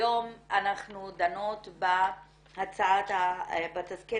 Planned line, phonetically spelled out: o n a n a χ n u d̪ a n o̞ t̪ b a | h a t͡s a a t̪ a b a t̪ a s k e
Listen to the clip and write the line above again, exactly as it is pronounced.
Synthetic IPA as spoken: o m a n a χ n u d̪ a n o̞ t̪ b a | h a t͡s a a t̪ a b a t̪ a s k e

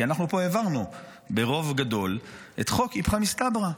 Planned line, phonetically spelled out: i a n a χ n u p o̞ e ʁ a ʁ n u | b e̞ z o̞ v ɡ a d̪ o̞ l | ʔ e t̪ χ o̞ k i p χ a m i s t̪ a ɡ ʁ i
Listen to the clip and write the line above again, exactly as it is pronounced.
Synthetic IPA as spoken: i a n a χ n u p o̞ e v a ʁ n u | b e̞ ʁ o̞ v ɡ a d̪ o̞ l | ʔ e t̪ χ o̞ k i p χ a m i s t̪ a b ʁ a

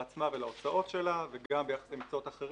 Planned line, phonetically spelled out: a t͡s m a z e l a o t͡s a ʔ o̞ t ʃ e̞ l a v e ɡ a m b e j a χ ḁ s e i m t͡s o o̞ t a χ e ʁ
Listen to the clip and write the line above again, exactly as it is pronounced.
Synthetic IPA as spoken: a t͡s m a v e l a o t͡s a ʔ o̞ t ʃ e̞ l a v e ɡ a m b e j a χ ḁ s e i m t͡s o o̞ t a χ e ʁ

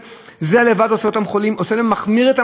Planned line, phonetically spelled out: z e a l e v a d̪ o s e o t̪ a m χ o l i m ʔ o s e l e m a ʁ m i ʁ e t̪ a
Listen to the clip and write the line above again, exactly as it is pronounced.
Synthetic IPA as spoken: z e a l e v a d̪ o s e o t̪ a m χ o l i m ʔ o s e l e m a χ m i ʁ e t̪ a

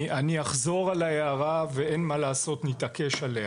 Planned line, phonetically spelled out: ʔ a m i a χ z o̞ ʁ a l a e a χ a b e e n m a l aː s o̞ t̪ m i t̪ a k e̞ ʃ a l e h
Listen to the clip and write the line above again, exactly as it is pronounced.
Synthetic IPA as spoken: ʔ a n i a χ z o̞ ʁ a l a e a ʁ a v e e n m a l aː s o̞ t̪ n i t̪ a k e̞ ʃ a l e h

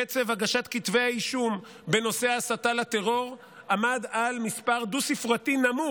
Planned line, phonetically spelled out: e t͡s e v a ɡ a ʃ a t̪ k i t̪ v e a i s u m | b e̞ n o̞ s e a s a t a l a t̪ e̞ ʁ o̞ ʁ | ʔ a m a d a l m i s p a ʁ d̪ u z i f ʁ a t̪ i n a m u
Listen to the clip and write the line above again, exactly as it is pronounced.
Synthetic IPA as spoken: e t͡s e v a ɡ a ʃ a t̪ k i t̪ v e a i ʃ u m | b e̞ n o̞ s e a s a t a l a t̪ e̞ ʁ o̞ ʁ | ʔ a m a d a l m i s p a ʁ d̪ u s i f ʁ a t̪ i n a m u

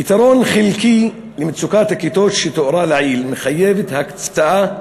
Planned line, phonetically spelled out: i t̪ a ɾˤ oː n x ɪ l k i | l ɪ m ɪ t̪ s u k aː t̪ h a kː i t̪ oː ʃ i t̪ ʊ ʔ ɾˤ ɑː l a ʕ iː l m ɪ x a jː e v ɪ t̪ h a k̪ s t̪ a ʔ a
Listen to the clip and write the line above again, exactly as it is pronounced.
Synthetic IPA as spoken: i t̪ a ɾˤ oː n x ɪ l k i | l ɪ m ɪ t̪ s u k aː t̪ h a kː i t̪ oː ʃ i t̪ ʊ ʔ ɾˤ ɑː l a ʕ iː l m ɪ x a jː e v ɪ t̪ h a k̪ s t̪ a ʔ a

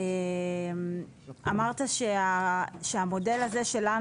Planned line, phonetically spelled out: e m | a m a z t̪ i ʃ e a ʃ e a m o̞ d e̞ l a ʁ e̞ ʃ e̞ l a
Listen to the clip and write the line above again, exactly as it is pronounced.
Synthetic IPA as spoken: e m | a m a ʁ t̪ a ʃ e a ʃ e a m o̞ d e̞ l a z e̞ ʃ e̞ l a

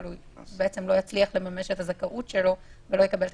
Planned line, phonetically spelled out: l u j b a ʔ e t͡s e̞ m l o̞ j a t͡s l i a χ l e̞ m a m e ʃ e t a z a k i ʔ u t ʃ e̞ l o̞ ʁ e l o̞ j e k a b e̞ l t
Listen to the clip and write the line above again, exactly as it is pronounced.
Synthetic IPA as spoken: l u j b e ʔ e t͡s e̞ m l o̞ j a t͡s l i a χ l e̞ m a m e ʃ e t a z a k a ʔ u t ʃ e̞ l o̞ v e l o̞ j e k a b e̞ l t

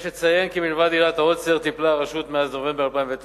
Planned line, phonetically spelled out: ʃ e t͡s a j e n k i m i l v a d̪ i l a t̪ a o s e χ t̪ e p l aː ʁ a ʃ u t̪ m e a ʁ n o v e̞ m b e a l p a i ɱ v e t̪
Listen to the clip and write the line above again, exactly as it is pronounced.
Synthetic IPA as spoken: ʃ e t͡s a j e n k i m i l v a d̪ i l a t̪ a o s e ʁ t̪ i p l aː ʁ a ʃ u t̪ m e a z n o v e̞ m b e a l p a i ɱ v e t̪

